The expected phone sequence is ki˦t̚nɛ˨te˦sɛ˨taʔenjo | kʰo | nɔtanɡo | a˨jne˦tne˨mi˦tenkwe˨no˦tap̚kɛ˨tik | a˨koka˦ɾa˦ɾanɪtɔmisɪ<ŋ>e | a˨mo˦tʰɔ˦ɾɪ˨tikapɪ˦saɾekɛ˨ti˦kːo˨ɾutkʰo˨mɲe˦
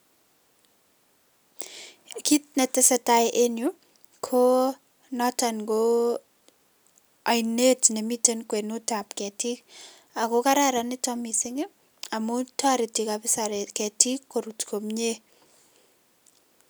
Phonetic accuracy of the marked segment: correct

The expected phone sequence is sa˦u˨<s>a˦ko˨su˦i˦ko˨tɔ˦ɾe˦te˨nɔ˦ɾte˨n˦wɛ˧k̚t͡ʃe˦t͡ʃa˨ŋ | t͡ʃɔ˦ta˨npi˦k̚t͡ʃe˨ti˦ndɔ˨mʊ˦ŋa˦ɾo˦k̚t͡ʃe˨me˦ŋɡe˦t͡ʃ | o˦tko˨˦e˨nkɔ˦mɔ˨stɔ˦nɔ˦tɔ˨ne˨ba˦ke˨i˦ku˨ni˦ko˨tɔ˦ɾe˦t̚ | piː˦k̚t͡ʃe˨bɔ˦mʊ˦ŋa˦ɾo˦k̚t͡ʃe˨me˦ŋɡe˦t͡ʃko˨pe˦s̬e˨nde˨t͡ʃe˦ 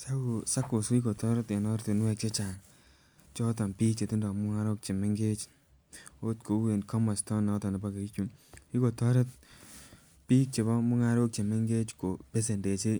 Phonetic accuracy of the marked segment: correct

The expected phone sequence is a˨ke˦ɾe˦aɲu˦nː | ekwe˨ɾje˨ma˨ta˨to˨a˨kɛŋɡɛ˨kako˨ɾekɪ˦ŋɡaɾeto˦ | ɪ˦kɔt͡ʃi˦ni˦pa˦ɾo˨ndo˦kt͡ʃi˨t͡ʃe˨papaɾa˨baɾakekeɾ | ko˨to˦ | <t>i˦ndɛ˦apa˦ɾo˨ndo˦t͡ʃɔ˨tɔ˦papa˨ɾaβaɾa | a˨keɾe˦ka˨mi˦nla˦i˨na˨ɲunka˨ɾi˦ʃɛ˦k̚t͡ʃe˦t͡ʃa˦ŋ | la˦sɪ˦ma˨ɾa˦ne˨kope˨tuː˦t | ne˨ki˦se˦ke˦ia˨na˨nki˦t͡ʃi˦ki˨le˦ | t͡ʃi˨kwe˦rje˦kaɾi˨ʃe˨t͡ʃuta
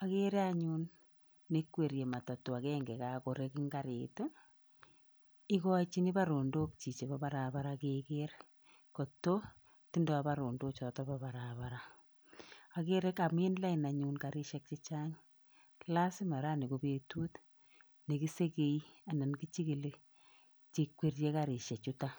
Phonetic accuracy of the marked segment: correct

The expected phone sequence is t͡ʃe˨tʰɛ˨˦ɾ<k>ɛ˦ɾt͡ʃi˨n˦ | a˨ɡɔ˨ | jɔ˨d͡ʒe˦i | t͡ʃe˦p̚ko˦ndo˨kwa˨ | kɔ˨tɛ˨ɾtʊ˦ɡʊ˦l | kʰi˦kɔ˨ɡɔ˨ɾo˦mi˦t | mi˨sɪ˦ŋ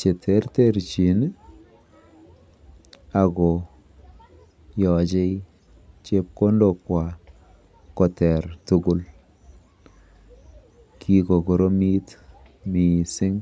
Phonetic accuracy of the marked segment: incorrect: t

